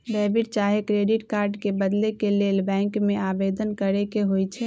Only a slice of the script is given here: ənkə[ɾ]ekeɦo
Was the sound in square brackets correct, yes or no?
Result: yes